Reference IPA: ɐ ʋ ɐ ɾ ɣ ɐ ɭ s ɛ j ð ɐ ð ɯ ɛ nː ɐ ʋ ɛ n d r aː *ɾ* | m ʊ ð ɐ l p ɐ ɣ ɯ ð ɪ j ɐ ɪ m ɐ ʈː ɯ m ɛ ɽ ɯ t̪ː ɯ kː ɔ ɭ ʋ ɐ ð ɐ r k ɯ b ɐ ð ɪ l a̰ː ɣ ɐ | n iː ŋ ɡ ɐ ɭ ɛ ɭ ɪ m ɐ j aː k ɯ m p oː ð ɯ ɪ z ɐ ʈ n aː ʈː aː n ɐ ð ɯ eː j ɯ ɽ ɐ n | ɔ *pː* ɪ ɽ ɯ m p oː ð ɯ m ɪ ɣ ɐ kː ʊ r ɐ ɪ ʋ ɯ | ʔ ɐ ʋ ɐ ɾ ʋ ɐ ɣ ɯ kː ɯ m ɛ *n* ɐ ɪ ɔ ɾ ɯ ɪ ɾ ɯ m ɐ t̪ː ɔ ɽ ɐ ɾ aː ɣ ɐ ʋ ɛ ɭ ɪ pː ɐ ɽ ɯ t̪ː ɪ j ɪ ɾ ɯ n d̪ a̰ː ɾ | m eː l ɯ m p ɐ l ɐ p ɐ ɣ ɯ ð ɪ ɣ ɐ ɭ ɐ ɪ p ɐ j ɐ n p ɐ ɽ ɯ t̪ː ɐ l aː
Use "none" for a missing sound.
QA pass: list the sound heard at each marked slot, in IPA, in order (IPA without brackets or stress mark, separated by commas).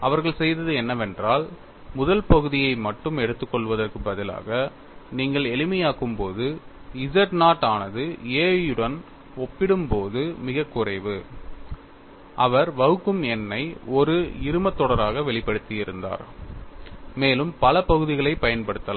l, pː, nː